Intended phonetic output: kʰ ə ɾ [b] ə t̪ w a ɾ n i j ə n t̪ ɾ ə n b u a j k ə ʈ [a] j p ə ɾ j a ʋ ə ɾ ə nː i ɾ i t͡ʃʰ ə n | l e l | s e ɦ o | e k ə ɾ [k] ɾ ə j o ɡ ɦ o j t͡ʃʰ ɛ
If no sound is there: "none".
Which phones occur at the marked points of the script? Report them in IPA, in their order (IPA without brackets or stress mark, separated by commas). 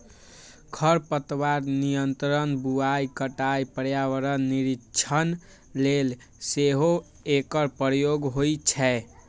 p, a, p